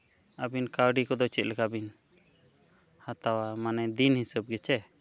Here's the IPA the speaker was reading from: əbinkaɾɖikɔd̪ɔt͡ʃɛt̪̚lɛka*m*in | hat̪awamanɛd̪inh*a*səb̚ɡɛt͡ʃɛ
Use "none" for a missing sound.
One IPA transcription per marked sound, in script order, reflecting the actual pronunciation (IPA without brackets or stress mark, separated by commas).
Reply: b, i